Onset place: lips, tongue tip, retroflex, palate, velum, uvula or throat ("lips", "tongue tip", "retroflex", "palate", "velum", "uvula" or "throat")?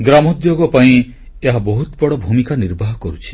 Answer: velum